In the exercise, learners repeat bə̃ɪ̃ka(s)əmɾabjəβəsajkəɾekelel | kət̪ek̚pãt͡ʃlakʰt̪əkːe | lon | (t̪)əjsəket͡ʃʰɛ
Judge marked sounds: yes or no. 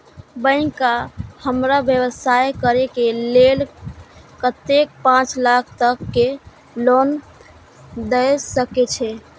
no, no

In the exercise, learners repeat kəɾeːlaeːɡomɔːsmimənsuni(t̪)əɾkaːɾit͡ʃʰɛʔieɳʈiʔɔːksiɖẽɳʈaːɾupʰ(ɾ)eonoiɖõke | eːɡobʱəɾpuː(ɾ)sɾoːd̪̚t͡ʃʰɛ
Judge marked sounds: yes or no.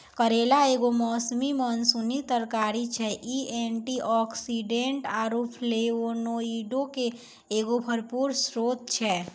yes, no, yes

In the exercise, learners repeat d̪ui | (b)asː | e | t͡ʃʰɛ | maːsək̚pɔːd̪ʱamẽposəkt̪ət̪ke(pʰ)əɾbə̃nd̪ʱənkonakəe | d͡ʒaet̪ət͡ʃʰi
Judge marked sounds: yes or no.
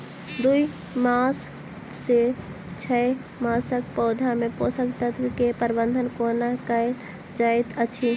no, no

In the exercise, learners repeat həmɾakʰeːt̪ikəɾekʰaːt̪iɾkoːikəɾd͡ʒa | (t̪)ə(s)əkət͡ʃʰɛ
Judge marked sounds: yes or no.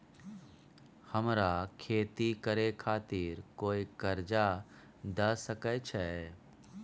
no, yes

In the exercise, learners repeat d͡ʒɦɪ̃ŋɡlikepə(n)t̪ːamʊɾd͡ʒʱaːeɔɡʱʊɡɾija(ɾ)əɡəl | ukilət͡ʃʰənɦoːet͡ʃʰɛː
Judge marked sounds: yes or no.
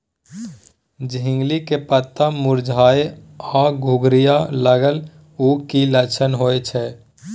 no, no

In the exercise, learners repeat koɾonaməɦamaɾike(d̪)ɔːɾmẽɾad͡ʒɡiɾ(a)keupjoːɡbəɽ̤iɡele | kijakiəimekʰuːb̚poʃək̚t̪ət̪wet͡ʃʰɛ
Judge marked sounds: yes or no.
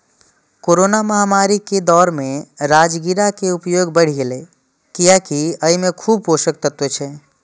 yes, yes

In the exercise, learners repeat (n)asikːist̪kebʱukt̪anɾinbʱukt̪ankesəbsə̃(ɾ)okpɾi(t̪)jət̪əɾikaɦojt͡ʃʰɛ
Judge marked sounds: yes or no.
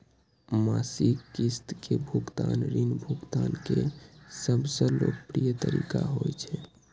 no, no, no

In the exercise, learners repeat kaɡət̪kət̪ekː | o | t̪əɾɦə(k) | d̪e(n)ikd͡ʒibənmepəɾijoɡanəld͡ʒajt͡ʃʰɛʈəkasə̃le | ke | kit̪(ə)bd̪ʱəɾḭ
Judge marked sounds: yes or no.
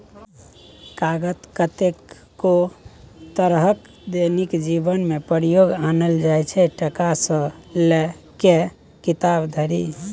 yes, yes, no

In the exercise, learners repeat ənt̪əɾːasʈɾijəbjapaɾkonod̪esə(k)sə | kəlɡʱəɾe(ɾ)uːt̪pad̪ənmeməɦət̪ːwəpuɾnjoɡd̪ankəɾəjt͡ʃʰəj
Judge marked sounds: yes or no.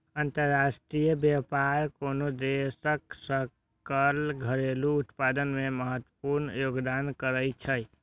yes, no

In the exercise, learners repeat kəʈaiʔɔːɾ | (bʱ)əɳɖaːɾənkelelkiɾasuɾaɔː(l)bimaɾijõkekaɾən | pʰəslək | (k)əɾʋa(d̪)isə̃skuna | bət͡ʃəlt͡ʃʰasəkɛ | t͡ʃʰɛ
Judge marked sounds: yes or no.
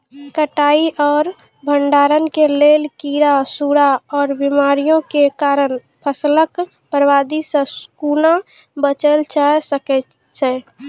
yes, no, no, yes

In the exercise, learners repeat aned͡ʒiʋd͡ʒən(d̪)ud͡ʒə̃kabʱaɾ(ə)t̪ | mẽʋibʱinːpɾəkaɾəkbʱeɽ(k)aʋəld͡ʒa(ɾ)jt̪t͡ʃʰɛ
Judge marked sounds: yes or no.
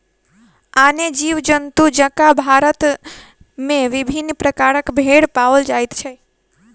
no, yes, no, no

